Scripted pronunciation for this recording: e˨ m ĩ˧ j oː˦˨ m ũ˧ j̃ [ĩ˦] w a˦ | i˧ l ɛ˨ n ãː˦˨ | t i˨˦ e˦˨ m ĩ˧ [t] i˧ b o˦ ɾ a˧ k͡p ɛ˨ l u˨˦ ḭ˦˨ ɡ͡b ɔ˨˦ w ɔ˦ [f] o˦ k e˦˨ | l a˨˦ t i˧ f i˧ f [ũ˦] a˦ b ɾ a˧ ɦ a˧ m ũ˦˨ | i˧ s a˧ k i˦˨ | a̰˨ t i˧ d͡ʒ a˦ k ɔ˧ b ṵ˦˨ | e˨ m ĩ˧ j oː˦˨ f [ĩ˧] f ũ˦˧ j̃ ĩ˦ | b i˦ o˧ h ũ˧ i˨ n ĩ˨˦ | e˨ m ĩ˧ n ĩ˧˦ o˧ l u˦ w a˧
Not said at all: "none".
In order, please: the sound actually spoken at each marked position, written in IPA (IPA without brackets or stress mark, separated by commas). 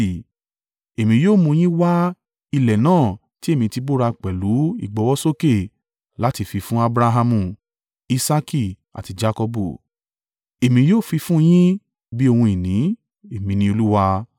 ĩ˦, t, s, ũ˦, i˧